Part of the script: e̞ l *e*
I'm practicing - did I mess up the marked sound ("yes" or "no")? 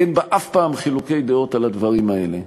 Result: no